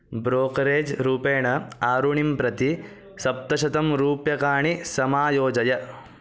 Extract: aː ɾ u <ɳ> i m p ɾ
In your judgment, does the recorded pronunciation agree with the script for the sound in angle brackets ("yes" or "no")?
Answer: yes